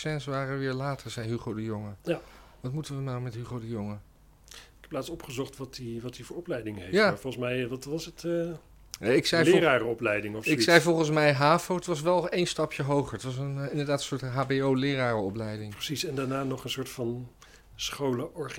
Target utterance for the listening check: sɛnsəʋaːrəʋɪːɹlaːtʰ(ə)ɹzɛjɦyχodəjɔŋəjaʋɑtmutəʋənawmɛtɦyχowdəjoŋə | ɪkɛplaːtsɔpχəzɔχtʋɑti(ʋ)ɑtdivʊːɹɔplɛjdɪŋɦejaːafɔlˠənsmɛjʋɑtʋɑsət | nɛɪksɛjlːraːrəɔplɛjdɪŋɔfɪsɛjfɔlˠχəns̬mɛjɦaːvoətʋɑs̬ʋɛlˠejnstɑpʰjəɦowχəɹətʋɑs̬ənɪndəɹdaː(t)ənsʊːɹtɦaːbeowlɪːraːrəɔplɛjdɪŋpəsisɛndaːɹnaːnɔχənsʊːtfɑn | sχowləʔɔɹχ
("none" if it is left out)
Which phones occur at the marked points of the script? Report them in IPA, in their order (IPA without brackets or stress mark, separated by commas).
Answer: ə, ʋ, t